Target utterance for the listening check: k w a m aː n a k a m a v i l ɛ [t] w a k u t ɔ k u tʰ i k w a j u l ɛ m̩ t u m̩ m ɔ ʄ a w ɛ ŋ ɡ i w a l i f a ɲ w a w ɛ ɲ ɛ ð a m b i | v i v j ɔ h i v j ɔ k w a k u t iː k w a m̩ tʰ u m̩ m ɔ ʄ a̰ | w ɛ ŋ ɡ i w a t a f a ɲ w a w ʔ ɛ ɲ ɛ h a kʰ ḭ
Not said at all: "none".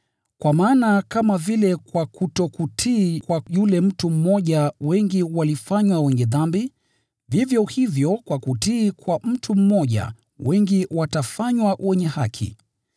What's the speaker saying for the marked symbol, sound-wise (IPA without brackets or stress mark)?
k